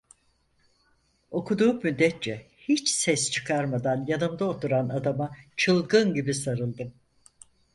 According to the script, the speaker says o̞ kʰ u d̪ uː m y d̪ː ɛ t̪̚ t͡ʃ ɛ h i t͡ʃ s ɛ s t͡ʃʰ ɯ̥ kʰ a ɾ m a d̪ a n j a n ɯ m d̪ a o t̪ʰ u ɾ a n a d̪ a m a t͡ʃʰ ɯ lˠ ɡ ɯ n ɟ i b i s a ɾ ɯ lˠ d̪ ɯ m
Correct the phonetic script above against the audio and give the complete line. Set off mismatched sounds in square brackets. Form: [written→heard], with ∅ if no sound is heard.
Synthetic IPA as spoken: o̞ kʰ u d̪ uː m y d̪ː ɛ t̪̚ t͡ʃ ɛ h i t͡ʃ s ɛ s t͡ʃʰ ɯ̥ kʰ a ɾ m a d̪ a n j a n ɯ m d̪ a o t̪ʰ u ɾ a n a d̪ a m a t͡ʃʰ ɯ lˠ ɡ ɯ n ɟ i b i s a ɾ ɯ lˠ d̪ ɯ m